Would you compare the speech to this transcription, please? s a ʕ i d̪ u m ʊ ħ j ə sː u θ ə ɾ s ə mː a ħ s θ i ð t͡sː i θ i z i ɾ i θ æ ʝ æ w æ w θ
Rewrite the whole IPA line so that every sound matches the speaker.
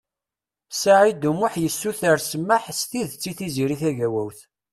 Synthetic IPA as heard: s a ʕ i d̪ u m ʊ ħ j ə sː u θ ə ɾ s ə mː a ħ s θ i ð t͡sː i θ i z i ɾ i θ æ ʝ æ w æ w θ